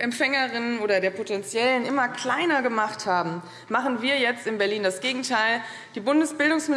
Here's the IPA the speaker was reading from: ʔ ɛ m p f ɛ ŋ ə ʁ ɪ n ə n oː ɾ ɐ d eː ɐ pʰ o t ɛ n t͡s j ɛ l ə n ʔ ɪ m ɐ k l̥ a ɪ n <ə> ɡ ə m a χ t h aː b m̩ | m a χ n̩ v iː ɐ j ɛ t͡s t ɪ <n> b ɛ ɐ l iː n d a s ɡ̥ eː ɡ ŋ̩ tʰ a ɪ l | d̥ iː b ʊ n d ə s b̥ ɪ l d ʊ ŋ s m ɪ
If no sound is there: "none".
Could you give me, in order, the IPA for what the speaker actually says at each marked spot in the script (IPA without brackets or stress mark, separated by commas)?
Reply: ɐ, n